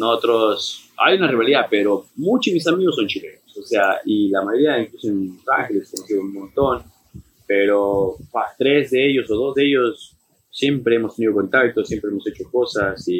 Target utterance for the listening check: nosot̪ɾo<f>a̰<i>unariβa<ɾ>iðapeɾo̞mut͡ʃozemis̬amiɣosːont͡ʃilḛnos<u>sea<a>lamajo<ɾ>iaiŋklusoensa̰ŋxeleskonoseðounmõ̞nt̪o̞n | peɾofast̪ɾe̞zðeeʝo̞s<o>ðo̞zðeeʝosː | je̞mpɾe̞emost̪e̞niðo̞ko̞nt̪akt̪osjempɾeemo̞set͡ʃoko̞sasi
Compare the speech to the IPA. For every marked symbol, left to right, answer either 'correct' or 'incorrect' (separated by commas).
incorrect, incorrect, incorrect, incorrect, incorrect, correct, correct